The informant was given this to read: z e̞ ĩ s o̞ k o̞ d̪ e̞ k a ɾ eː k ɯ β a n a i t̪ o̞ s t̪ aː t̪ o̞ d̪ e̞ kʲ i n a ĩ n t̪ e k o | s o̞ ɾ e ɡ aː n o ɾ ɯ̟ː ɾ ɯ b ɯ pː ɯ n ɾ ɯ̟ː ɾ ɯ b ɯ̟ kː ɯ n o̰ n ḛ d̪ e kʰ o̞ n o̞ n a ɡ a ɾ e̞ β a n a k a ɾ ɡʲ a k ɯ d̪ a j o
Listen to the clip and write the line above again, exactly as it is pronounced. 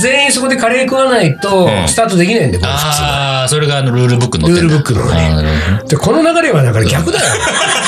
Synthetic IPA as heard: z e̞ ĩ s o̞ k o̞ d̪ e̞ k a ɾ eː k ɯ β a n a i t̪ o̞ s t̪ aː t̪ o̞ d̪ e̞ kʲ i n a ĩ n d̪ e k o | s o̞ ɾ e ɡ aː n o ɾ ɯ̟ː ɾ ɯ b ɯ kː ɯ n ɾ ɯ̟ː ɾ ɯ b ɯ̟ kː ɯ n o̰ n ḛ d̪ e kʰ o̞ n o̞ n a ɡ a ɾ e̞ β a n a k a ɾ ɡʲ a k ɯ d̪ a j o